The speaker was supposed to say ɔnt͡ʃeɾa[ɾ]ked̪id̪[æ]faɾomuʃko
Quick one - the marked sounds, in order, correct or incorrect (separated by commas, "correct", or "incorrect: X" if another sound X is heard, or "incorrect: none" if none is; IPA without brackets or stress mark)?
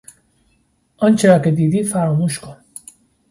incorrect: none, incorrect: i